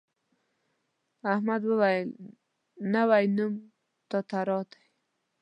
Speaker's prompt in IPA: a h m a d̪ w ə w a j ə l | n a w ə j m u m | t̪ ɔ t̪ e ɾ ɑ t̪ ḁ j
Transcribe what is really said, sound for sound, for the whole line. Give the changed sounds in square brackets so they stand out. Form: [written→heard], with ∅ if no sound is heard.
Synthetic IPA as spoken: a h m a d̪ w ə w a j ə l | n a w [ə→a] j [m→n] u m | t̪ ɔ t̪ [e→a] ɾ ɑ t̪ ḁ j